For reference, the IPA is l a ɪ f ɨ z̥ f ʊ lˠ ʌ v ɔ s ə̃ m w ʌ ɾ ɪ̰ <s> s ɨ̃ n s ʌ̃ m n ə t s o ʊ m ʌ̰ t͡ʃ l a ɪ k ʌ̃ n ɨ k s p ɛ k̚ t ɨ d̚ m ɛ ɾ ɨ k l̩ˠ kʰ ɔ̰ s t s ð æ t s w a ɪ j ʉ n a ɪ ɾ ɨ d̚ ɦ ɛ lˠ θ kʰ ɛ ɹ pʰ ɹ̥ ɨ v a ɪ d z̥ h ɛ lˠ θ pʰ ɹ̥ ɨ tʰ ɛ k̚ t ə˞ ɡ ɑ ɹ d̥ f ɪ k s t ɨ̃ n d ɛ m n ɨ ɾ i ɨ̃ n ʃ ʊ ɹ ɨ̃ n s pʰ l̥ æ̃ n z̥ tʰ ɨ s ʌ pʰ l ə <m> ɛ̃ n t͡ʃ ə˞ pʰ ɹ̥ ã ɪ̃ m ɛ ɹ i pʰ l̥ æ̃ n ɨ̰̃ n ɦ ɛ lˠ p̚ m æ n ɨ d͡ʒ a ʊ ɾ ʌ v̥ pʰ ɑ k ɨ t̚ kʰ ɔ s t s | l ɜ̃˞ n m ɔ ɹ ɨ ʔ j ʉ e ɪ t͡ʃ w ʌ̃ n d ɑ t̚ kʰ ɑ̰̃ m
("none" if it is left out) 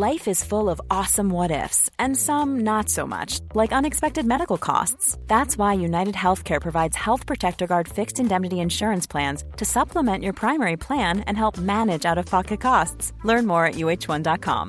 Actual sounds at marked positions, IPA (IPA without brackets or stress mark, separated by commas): f, m